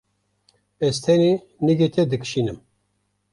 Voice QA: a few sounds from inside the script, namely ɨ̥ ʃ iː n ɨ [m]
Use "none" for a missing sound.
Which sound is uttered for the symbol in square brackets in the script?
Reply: m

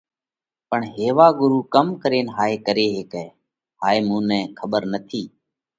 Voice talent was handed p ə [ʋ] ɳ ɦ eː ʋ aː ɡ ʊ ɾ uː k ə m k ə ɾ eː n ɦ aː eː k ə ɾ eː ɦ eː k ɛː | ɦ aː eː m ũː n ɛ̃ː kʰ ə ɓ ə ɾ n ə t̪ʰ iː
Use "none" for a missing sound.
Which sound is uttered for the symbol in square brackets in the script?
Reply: none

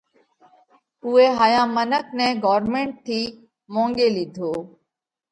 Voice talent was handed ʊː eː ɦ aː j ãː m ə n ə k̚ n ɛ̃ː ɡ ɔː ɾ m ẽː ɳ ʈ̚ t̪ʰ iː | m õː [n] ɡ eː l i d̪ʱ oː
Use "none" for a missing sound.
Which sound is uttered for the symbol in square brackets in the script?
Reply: ŋ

